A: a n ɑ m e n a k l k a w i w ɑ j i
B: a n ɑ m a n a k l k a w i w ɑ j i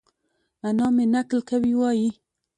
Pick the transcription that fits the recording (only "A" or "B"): A